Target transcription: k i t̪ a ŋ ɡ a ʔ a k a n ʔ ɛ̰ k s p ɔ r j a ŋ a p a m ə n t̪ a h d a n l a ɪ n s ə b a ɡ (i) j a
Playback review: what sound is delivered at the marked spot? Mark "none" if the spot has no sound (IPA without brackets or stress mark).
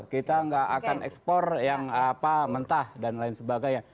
a